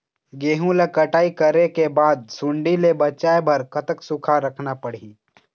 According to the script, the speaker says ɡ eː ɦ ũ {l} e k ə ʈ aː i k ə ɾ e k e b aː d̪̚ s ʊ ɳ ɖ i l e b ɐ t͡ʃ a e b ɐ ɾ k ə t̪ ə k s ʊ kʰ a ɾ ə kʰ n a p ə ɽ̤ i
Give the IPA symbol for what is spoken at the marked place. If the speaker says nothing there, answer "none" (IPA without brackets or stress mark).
l